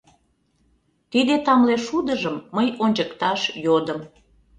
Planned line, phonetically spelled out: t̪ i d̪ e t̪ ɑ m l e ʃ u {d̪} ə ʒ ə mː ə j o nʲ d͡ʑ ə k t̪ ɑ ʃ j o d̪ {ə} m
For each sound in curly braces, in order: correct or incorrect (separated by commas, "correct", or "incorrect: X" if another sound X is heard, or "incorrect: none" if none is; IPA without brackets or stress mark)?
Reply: correct, correct